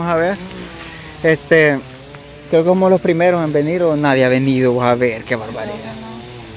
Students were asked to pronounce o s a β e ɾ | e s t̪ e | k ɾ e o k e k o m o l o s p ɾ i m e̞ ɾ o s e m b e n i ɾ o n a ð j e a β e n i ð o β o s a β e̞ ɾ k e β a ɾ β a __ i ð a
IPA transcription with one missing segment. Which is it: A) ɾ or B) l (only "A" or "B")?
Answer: A